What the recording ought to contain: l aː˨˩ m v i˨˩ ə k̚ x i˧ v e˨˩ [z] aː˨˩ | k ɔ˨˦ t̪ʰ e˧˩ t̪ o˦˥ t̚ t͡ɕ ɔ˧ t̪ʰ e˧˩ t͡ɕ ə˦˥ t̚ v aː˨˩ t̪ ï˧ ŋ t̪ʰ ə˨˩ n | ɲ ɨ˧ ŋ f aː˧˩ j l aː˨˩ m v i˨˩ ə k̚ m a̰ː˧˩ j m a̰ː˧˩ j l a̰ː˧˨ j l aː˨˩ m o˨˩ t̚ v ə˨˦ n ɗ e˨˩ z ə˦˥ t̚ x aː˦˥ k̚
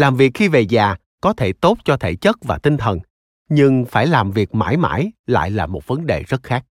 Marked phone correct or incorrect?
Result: correct